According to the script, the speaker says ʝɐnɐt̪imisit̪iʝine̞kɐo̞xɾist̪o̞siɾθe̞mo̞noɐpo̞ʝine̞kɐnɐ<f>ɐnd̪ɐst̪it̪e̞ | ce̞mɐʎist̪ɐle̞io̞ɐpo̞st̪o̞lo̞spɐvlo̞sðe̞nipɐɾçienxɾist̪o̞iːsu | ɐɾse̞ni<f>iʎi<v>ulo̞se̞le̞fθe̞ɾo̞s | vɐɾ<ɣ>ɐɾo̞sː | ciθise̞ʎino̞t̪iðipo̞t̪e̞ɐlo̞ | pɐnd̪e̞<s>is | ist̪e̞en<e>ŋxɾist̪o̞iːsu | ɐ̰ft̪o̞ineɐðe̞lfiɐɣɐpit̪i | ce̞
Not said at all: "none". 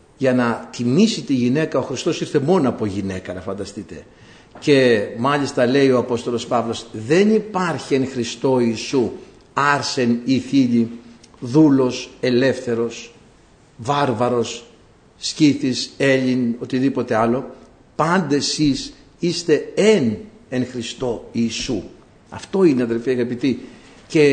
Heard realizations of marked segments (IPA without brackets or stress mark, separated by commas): f, θ, ð, v, s, e